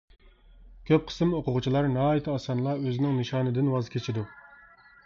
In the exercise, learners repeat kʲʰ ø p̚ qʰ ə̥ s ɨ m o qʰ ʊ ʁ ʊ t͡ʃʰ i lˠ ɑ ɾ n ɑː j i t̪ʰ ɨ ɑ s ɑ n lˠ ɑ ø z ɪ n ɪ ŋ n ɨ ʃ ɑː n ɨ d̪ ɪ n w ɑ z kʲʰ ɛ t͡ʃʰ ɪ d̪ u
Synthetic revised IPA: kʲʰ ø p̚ qʰ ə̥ s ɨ m o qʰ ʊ ʁ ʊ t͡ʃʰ i lˠ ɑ ɾ n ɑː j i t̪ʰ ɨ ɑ s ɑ n lˠ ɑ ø z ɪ n ɪ ŋ n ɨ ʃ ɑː n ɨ d̪ ɪ n w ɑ z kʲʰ e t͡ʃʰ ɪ d̪ u